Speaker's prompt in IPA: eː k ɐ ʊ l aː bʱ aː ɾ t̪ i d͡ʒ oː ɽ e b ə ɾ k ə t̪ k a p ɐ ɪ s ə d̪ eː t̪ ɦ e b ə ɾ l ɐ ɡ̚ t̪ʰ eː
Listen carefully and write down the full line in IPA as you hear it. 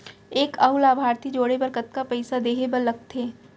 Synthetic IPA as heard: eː k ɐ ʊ l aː bʱ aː ɾ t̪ i d͡ʒ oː ɽ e b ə ɾ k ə t̪ k a p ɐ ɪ s a d̪ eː ɦ e b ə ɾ l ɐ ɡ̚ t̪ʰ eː